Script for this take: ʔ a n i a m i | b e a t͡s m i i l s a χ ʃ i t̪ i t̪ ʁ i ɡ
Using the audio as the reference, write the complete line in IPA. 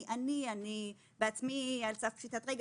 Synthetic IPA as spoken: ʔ a n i a n i | b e a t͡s m i a l s a f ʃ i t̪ a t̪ ʁ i ɡ